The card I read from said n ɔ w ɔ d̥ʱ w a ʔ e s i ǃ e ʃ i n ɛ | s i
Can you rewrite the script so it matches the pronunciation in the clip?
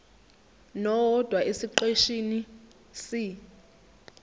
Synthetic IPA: n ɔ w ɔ d̥ʱ w a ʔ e s i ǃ e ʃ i n i | s i

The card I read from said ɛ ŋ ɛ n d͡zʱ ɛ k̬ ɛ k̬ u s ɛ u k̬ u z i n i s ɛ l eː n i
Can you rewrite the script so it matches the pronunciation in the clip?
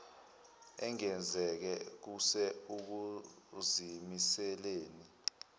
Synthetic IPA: ɛ ŋ ɛ n d͡zʱ ɛ k̬ ɛ k̬ u s ɛ u k̬ u z i m i s ɛ l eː n i

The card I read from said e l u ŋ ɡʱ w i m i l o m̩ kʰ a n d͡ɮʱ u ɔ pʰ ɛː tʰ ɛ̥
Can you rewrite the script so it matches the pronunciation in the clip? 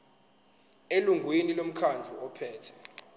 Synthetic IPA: e l u ŋ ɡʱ w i n i l o m̩ kʰ a n d͡ɮʱ u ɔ pʰ ɛː tʰ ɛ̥

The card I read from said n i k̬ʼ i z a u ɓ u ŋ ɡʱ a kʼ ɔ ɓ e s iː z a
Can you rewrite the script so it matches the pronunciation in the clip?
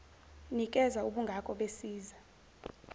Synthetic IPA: n i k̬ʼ ɛ z a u ɓ u ŋ ɡʱ a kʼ ɔ ɓ e s iː z a

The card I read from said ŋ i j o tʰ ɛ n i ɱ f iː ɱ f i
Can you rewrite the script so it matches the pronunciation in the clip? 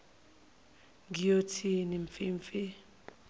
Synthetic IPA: ŋ i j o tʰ i n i ɱ f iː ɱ f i

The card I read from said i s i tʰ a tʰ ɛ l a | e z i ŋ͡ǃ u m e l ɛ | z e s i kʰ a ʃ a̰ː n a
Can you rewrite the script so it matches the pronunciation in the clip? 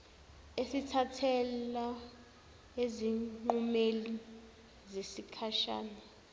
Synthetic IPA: e s i tʰ a tʰ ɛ l a | e z i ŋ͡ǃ u m e l i | z e s i kʰ a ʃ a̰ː n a

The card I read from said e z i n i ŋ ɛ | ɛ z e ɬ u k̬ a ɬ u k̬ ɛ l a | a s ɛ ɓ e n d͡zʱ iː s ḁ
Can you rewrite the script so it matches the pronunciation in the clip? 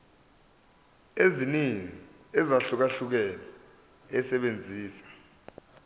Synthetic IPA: e z i n i ŋ i | ɛ z a ɬ u k̬ a ɬ u k̬ ɛ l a | ɛ s ɛ ɓ e n d͡zʱ iː s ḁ

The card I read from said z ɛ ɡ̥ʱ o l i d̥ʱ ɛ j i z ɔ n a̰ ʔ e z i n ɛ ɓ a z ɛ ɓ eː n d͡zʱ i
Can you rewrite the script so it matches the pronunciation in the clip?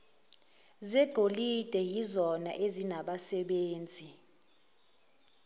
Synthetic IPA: z ɛ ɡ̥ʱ o l i d̥ʱ ɛ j i z ɔ n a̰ ʔ e z i n a ɓ a s ɛ ɓ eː n d͡zʱ i

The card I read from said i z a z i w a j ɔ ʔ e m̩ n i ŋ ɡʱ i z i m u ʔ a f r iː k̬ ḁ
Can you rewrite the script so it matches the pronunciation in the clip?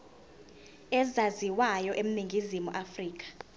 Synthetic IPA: ɛ z a z i w a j ɔ ʔ e m̩ n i ŋ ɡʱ i z i m u ʔ a f r iː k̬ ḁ

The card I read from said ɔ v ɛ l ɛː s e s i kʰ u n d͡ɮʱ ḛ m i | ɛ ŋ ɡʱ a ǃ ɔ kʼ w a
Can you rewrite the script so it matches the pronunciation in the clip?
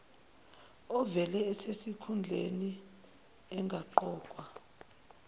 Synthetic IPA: ɔ v ɛ l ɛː s e s i kʰ u n d͡ɮʱ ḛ n i | ɛ ŋ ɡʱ a ǃ ɔː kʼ w a

